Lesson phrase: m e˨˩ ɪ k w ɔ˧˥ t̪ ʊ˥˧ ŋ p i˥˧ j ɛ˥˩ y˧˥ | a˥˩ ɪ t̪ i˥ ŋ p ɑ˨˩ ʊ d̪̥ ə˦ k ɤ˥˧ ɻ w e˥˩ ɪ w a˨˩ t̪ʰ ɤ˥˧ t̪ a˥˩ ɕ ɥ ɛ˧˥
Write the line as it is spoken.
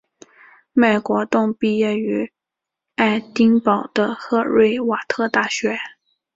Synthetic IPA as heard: m e˨˩ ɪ k w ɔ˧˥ t̪ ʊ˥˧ ŋ p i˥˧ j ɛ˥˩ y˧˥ | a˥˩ ɪ t̪ i˥ ŋ p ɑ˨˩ ʊ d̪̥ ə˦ x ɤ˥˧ ɻ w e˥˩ ɪ w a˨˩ t̪ʰ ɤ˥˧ t̪ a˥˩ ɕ ɥ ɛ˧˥